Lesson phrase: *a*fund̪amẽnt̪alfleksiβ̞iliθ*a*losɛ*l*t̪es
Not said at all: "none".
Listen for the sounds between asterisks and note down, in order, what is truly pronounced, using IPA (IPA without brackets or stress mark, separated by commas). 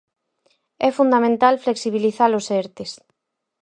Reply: ɛ, a, ɾ